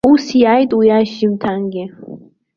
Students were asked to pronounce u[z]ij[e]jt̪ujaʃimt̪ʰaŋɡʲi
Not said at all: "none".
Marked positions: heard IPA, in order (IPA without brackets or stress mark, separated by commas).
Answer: s, a